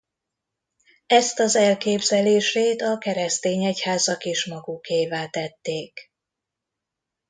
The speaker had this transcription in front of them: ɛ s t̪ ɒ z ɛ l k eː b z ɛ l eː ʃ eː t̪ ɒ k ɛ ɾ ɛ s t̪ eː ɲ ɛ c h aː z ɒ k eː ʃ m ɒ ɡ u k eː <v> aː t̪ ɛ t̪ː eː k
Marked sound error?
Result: no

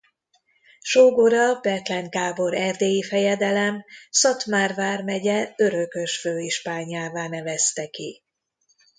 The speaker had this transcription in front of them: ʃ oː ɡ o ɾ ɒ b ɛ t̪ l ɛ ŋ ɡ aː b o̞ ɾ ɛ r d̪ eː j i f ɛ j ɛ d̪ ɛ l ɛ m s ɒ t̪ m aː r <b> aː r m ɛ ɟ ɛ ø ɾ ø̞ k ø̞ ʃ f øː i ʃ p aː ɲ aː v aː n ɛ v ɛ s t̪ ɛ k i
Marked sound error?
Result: yes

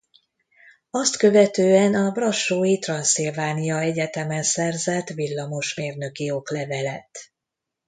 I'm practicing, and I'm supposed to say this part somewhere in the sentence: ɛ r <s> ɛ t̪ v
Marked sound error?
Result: yes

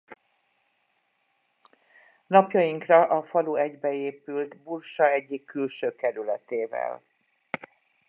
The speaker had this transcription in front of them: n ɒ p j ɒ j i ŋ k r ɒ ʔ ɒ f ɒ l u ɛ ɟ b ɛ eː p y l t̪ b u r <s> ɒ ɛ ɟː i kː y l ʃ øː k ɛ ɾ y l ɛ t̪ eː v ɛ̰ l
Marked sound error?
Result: yes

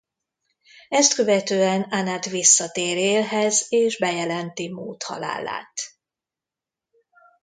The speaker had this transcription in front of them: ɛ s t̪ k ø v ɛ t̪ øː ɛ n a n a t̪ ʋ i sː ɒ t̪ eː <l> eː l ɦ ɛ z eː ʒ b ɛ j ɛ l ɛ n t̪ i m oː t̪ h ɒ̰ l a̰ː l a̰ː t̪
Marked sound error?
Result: yes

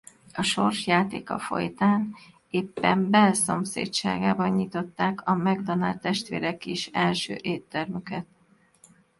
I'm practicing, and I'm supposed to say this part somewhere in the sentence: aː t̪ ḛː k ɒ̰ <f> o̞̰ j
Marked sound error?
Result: no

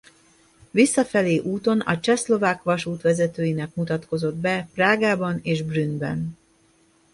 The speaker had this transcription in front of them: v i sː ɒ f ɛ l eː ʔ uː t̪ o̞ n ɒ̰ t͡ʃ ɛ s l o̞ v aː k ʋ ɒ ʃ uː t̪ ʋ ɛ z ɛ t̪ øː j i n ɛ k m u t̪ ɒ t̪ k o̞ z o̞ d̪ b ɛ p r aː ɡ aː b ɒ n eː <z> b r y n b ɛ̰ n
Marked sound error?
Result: yes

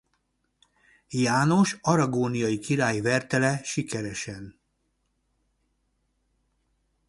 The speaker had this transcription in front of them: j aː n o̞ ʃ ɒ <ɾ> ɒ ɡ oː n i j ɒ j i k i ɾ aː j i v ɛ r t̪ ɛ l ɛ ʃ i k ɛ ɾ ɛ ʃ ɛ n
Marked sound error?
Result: no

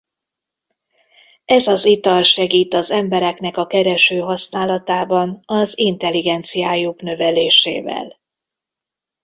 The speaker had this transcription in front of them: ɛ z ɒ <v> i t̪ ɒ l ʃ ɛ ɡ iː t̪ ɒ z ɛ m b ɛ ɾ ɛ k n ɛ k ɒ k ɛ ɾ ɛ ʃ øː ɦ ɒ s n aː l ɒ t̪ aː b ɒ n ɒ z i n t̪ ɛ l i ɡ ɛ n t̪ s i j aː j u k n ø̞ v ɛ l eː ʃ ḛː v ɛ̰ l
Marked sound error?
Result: yes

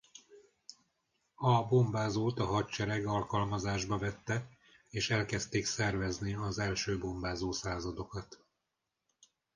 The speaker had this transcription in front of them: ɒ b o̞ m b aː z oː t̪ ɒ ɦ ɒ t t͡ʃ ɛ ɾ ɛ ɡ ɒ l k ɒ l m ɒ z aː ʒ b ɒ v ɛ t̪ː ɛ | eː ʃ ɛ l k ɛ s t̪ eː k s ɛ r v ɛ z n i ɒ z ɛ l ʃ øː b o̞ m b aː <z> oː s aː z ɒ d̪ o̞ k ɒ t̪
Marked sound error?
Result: no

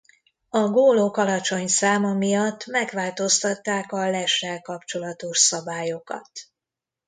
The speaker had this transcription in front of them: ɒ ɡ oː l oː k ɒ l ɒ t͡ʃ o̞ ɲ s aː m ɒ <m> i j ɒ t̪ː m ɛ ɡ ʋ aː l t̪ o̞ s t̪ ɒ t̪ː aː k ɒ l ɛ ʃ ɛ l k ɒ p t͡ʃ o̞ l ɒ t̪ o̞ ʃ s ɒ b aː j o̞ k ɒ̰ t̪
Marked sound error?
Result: no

